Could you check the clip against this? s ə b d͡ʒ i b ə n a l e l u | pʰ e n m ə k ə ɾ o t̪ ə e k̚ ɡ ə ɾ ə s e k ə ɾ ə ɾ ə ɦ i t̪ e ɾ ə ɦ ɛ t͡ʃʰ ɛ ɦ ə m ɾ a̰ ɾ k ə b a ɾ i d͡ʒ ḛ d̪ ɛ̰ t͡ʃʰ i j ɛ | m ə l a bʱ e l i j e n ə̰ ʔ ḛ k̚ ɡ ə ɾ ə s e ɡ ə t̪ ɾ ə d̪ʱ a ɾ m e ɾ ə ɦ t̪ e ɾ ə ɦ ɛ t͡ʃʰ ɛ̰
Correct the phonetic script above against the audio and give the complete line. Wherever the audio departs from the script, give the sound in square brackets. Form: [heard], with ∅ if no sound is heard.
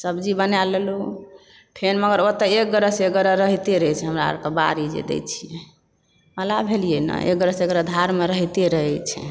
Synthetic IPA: s ə b d͡ʒ i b ə n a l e l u | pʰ e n m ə [ɡ] ə ɾ o t̪ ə e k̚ ɡ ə ɾ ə s e [ɡ] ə ɾ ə ɾ ə ɦ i t̪ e ɾ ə ɦ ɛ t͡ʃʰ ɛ ɦ ə m ɾ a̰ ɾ k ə b a ɾ i d͡ʒ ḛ d̪ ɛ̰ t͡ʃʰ i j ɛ | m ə l a bʱ e l i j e n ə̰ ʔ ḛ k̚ ɡ ə ɾ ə s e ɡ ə [∅] ɾ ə d̪ʱ a ɾ m e ɾ ə ɦ t̪ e ɾ ə ɦ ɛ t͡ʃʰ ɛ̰